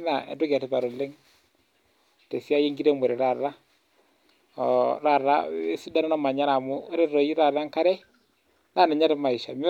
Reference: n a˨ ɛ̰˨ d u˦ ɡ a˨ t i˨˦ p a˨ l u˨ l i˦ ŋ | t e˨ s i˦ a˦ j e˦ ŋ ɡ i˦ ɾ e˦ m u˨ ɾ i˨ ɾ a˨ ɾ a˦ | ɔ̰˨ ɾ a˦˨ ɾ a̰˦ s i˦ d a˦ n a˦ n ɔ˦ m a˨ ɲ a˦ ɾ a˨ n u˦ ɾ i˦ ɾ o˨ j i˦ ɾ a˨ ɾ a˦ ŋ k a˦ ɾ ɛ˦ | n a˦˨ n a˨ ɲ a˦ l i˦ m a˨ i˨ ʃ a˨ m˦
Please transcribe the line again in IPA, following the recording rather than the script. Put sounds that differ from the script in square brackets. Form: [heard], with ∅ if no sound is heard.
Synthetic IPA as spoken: n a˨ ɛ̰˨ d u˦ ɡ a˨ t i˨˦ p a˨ [ɾ] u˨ l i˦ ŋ | t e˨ s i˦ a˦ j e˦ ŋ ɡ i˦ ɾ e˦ m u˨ ɾ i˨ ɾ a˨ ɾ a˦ | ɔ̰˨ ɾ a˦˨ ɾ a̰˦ s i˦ d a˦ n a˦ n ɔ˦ m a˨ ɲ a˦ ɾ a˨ [m] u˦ ɾ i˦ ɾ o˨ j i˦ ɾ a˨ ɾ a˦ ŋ k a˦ ɾ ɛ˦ | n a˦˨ n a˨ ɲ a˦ [ɾ] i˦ m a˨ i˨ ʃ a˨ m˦